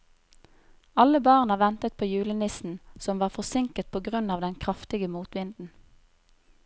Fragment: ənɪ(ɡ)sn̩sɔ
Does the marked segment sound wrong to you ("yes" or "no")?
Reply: yes